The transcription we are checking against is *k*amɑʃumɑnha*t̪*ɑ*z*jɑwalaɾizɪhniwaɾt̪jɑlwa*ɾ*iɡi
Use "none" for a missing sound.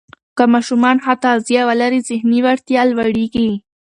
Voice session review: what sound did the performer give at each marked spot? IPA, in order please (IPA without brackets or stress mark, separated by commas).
k, t̪, z, ɽ